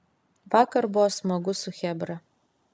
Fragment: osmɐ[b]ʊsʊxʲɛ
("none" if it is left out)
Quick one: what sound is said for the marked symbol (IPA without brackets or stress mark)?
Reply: ɡ